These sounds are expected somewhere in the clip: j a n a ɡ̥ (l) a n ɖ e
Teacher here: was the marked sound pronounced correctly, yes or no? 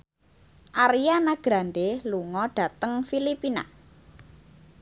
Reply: no